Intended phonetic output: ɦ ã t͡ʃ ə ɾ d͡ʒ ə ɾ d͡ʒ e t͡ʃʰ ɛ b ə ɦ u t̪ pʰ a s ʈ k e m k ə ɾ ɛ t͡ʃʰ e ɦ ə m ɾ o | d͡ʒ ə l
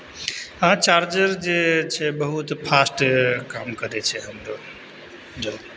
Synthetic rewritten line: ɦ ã t͡ʃ a ɾ d͡ʒ ə ɾ d͡ʒ e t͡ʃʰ ɛ b ə ɦ u t̪ pʰ a s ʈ k a m k ə ɾ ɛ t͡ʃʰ ɛ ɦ ə m ɾ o | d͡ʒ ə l

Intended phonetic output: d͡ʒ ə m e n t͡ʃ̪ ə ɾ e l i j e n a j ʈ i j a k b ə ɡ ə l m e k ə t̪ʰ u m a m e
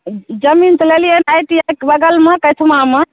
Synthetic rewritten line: d͡ʒ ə m i n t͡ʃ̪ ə l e l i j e n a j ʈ i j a k b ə ɡ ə l m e k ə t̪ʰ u m a m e

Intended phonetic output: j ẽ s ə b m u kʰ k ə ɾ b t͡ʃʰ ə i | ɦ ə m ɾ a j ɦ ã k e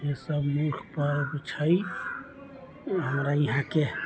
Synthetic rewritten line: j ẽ s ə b m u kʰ p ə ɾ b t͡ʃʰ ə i | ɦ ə m ɾ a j ɦ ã k e

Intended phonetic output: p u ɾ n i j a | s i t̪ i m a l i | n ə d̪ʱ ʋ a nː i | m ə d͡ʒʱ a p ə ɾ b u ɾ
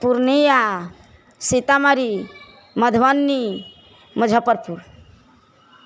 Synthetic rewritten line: p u ɾ n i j a | s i t̪ a m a ɾ i | m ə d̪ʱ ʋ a nː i | m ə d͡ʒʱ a p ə ɾ p u ɾ

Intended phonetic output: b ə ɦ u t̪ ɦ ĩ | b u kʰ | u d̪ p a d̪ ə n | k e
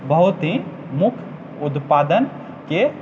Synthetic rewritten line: b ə ɦ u t̪ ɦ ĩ | m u kʰ | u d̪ p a d̪ ə n | k e

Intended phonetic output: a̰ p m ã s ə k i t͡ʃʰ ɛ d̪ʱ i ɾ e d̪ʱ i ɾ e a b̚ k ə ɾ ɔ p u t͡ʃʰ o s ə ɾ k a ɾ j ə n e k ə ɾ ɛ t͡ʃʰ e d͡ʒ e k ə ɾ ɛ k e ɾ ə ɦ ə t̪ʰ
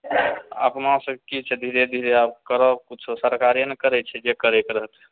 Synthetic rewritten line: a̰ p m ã s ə k i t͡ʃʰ ɛ d̪ʱ i ɾ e d̪ʱ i ɾ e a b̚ k ə ɾ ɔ k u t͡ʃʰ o s ə ɾ k a ɾ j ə n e k ə ɾ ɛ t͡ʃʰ ɛ d͡ʒ e k ə ɾ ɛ k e ɾ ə ɦ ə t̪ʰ

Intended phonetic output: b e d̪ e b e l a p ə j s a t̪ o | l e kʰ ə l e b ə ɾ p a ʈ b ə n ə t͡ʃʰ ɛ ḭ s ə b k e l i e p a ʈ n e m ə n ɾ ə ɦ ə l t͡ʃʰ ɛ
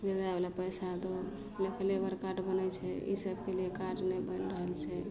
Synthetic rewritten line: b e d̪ a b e l a p ə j s a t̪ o | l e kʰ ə l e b ə ɾ k a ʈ b ə n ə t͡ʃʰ ɛ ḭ s ə b k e l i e k a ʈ n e b ə n ɾ ə ɦ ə l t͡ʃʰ ɛ

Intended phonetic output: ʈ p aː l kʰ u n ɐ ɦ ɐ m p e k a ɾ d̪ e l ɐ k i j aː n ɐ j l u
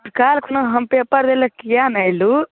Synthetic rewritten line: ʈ k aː l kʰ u n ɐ ɦ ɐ m p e p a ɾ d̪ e l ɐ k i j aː n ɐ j l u

